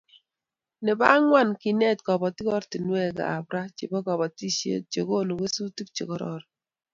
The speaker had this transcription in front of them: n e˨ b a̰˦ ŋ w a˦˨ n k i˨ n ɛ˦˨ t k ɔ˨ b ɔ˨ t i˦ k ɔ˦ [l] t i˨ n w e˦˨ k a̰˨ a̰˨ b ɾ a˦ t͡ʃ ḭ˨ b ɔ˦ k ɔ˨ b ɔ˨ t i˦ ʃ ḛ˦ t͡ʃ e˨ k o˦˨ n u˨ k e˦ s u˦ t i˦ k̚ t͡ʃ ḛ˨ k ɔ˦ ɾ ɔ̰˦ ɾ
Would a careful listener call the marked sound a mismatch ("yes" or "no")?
yes